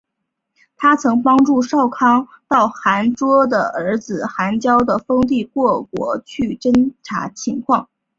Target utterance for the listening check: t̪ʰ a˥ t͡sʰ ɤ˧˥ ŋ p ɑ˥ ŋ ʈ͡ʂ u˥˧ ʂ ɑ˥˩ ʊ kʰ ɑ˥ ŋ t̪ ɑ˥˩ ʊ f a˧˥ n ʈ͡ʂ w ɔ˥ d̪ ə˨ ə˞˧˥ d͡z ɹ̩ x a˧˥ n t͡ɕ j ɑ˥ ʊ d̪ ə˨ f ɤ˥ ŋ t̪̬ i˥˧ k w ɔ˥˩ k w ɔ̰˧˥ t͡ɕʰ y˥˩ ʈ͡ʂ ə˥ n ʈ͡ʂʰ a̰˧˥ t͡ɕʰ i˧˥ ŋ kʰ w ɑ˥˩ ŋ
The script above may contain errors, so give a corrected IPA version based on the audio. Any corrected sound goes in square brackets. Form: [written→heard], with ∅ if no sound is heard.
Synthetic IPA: t̪ʰ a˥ t͡sʰ ɤ˧˥ ŋ p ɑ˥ ŋ ʈ͡ʂ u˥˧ ʂ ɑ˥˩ ʊ kʰ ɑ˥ ŋ t̪ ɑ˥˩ ʊ [f→x] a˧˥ n ʈ͡ʂ w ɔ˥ d̪ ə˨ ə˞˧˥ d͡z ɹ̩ x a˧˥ n t͡ɕ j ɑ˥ ʊ d̪ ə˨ f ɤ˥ ŋ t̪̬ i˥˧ k w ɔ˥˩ k w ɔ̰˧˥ t͡ɕʰ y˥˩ ʈ͡ʂ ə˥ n ʈ͡ʂʰ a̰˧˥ t͡ɕʰ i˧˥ ŋ kʰ w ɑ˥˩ ŋ